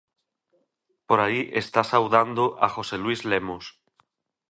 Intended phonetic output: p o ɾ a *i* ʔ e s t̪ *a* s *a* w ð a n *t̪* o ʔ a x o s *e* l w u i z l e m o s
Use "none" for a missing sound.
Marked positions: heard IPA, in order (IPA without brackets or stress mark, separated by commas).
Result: i, a, a, d̪, e